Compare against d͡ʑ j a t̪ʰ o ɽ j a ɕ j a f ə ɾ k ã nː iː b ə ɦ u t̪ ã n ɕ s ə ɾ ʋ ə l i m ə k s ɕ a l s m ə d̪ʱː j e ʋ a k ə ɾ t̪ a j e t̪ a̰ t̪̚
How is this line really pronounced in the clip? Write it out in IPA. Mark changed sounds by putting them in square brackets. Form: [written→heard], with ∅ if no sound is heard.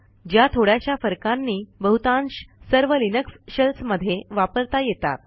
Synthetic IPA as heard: d͡ʑ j a t̪ʰ o ɽ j a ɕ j a f ə ɾ k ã nː iː b ə ɦ u t̪ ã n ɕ s ə ɾ ʋ ə l i [m→n] ə k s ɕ [a→ə] l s m ə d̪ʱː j e ʋ a [k→p] ə ɾ t̪ a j e t̪ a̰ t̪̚